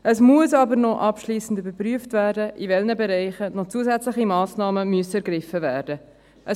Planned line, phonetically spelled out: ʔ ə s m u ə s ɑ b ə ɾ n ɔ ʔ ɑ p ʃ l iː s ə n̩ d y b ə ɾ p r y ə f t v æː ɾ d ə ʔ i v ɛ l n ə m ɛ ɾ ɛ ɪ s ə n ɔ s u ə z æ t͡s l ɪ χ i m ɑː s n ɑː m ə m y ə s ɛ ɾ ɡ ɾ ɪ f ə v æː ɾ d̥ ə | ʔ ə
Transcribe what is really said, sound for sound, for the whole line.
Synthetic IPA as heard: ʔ ə s m u ə s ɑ b ə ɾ n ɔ ʔ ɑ p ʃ l iː s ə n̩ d y b ə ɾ p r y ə f t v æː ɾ d ə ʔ i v ɛ l n ə b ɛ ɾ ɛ ɪ χ ə n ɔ t͡s u ə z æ t͡s l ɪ χ i m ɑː s n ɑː m ə m y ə s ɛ ɾ ɡ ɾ ɪ f ə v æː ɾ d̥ ə | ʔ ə